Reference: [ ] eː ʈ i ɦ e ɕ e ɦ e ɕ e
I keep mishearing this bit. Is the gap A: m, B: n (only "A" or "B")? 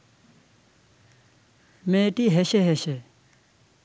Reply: A